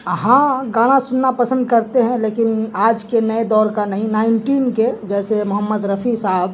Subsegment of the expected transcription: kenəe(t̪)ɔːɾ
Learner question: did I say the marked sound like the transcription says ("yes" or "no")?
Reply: no